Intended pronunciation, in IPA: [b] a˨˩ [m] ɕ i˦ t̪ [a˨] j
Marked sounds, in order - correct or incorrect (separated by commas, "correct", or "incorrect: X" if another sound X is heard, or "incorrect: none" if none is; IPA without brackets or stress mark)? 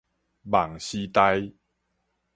correct, incorrect: ŋ, incorrect: a˦˧